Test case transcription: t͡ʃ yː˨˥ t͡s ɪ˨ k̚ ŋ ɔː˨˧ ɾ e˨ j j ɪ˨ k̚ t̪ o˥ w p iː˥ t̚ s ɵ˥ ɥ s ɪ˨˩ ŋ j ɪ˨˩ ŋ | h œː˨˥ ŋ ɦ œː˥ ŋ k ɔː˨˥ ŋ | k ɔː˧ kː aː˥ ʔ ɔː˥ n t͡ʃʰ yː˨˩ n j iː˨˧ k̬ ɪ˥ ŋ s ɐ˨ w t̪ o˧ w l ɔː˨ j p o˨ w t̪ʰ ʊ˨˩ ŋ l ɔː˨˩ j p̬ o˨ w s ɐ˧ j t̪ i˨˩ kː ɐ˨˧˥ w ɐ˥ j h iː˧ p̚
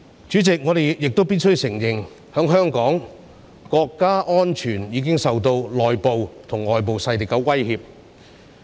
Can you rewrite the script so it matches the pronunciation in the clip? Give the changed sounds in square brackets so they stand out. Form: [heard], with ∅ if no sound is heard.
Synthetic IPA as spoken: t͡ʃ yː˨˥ t͡s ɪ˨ k̚ ŋ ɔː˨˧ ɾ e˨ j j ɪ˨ k̚ t̪ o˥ w p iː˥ t̚ s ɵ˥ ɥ s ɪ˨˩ ŋ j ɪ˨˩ ŋ | h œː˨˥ ŋ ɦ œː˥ ŋ k ɔː˨˥ ŋ | k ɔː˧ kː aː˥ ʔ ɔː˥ n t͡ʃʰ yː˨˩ n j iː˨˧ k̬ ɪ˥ ŋ s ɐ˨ w t̪ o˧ w l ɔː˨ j p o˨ w t̪ʰ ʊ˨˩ ŋ l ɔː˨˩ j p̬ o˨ w s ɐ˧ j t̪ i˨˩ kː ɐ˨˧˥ w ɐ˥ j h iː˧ p̚